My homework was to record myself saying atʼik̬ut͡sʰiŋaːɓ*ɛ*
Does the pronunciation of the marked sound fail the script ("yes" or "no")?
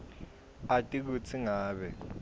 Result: no